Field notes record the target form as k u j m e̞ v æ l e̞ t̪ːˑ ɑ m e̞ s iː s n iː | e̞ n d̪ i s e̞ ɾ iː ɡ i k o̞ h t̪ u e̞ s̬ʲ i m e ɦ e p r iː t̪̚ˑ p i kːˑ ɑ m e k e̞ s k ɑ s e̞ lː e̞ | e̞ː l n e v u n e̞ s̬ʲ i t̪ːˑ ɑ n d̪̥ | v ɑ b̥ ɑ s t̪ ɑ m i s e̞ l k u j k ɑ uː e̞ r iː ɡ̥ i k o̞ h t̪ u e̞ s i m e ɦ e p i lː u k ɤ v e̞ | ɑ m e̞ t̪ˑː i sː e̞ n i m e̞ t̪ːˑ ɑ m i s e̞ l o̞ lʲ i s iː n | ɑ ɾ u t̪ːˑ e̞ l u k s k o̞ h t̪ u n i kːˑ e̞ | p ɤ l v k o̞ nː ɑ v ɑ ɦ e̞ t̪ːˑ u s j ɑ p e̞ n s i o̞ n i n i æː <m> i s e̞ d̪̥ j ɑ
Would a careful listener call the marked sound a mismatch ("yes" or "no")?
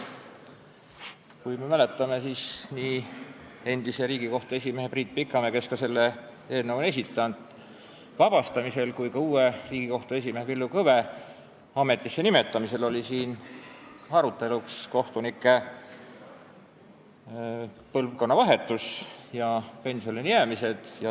no